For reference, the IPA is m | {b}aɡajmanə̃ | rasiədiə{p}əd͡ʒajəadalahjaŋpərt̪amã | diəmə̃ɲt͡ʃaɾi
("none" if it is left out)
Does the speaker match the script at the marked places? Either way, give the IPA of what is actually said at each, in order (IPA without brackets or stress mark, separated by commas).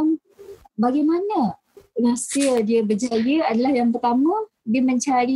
b, b